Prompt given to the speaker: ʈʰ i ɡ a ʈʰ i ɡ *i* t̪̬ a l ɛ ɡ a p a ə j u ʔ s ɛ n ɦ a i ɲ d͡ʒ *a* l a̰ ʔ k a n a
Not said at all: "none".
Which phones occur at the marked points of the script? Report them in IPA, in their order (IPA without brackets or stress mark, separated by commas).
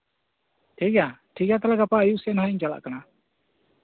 a, a